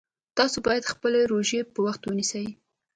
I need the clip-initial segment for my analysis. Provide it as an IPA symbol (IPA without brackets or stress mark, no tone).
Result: t̪